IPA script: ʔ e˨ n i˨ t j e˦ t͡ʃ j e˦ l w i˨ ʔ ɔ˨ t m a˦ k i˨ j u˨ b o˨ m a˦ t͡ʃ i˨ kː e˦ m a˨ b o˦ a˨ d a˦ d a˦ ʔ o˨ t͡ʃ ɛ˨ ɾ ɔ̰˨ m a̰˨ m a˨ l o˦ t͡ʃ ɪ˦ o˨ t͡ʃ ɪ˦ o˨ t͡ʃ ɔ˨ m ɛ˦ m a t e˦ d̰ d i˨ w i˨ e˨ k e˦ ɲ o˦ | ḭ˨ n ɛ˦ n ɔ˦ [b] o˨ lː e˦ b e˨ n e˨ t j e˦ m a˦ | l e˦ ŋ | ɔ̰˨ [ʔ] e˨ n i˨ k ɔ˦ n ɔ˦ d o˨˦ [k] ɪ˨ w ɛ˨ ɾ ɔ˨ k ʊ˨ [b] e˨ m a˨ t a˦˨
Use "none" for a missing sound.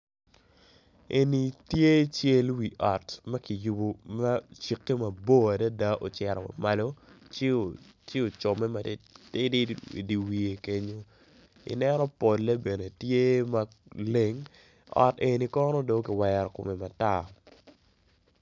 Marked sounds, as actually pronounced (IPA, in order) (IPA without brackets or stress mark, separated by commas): p, t, k, m